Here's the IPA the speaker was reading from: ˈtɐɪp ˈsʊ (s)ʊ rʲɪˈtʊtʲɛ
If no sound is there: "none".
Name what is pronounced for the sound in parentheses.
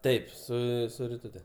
s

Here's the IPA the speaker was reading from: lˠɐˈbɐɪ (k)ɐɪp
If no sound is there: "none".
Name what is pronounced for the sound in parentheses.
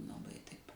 t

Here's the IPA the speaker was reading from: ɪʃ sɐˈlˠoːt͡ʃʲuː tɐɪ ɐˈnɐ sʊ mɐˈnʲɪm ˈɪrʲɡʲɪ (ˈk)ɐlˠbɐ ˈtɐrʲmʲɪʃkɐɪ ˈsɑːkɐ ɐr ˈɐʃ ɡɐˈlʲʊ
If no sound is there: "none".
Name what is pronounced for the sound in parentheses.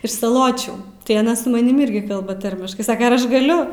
k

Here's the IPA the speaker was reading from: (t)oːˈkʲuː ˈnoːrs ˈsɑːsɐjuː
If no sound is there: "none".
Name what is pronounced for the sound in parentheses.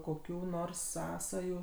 k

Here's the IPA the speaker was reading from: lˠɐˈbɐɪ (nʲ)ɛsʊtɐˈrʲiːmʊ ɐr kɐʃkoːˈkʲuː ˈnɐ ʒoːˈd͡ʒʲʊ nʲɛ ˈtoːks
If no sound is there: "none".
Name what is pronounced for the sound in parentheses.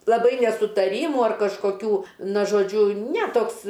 nʲ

